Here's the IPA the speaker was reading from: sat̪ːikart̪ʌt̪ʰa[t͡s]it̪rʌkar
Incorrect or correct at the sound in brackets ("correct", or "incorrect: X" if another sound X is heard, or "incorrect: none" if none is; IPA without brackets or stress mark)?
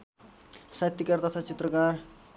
correct